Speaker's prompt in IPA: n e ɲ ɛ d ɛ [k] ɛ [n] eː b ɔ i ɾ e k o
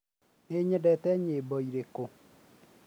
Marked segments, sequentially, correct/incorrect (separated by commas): incorrect, incorrect